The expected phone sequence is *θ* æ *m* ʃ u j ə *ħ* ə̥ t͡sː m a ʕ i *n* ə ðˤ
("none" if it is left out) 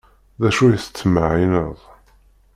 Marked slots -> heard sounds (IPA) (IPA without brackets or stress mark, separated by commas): ð, none, θ, n